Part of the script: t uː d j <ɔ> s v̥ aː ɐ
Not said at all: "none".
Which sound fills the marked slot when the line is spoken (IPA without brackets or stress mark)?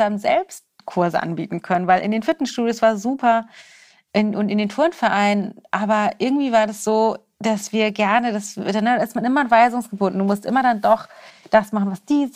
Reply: o